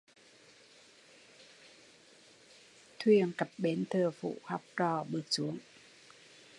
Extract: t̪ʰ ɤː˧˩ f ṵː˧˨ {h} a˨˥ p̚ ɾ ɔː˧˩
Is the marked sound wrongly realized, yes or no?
no